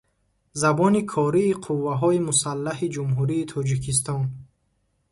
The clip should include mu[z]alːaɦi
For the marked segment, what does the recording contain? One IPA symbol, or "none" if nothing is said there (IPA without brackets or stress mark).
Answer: s